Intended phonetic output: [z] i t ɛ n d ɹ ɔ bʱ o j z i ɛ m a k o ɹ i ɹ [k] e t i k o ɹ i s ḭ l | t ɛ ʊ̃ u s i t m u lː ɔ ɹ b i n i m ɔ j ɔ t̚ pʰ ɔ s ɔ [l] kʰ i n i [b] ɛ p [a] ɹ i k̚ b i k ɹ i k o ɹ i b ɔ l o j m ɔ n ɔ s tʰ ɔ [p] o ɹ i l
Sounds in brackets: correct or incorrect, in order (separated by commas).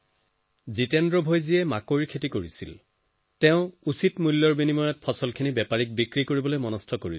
correct, incorrect, correct, correct, correct, incorrect